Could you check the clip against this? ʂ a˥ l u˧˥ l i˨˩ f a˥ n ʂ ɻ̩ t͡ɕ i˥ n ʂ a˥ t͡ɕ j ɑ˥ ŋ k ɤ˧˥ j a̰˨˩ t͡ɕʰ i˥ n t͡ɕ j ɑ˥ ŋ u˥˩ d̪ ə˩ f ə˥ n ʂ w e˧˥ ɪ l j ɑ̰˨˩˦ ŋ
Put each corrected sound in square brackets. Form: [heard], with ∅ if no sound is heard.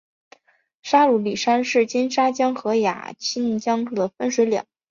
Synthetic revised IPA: ʂ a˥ l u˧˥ l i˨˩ [ʂ] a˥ n ʂ ɻ̩ t͡ɕ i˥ n ʂ a˥ t͡ɕ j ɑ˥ ŋ [x] ɤ˧˥ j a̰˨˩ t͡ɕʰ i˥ n t͡ɕ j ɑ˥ ŋ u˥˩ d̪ ə˩ f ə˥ n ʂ w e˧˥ ɪ l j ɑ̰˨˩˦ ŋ